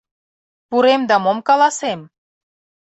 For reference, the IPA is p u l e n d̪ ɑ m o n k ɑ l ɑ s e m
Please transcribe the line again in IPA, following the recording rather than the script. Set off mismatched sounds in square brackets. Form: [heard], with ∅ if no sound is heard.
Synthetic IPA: p u [ɾ] e [m] d̪ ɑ m o [m] k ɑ l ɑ s e m